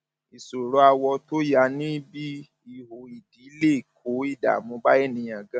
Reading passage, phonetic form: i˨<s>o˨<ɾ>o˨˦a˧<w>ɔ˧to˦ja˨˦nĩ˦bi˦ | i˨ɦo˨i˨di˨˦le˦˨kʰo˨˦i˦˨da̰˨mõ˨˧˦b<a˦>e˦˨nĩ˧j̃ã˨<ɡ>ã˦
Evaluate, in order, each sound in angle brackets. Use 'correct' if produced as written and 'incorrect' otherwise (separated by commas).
correct, correct, correct, correct, correct